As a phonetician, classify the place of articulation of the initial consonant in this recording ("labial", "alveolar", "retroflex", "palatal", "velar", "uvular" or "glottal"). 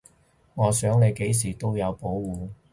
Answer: velar